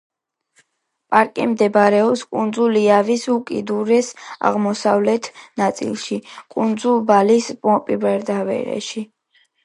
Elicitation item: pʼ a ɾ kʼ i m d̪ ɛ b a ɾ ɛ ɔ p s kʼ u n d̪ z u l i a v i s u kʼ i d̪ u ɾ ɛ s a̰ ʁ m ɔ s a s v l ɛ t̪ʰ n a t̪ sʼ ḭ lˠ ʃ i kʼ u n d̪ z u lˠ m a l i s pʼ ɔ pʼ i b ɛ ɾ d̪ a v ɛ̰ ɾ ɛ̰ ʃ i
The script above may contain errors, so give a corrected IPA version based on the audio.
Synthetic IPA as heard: pʼ a ɾ kʼ i m d̪ ɛ b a ɾ ɛ ɔ p s kʼ u n d̪ z u l i a v i s u kʼ i d̪ u ɾ ɛ s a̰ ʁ m ɔ s a v l ɛ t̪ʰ n a t̪ sʼ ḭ lˠ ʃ i kʼ u n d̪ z u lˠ b a l i s pʼ ɔ pʼ i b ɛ ɾ d̪ a v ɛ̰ ɾ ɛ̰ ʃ i